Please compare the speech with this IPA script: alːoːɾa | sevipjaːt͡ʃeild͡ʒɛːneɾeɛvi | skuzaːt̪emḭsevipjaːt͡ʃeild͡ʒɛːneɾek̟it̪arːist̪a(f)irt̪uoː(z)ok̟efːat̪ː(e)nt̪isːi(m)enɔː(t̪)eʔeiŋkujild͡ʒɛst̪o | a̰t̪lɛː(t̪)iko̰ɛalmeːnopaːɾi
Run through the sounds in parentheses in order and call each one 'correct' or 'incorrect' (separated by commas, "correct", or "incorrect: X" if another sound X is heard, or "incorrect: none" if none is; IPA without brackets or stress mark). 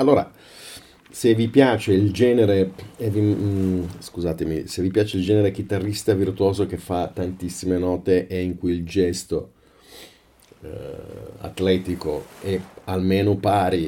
incorrect: v, correct, incorrect: a, correct, correct, correct